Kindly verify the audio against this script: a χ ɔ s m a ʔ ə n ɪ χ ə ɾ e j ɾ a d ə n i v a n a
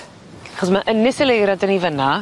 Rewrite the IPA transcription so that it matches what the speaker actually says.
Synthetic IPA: a χ ɔ s m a ʔ ə n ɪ s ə l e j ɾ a d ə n i v ə n a